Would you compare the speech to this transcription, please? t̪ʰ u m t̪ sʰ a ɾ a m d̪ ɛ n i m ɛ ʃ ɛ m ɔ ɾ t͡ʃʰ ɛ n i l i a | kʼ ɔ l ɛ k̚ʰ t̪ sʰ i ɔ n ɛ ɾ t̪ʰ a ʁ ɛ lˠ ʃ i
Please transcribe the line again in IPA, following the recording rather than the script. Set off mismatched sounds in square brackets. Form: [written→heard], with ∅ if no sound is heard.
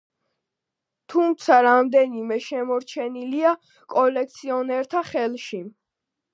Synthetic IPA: t̪ʰ u m t̪ sʰ a ɾ a m d̪ ɛ n i m ɛ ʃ ɛ m ɔ ɾ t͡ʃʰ ɛ n i l i a | kʼ ɔ l ɛ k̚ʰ t̪ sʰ i ɔ n ɛ ɾ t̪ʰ a [ʁ→χ] ɛ lˠ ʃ i